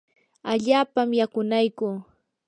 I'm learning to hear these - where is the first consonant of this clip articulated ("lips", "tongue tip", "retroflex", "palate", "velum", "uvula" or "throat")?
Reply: palate